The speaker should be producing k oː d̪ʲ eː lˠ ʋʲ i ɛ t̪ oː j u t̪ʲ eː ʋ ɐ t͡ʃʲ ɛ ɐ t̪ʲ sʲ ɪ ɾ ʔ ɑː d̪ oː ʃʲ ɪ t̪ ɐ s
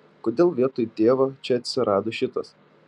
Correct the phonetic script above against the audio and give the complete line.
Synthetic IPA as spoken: k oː d̪ʲ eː lˠ ʋʲ i ɛ t̪ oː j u t̪ʲ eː ʋ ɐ t͡ʃʲ ɛ ɐ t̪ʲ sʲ ɪ ɾ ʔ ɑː d̪ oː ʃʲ ɪ t̪ ɐ s